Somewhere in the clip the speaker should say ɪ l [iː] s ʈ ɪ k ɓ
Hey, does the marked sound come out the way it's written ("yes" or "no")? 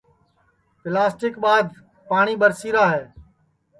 no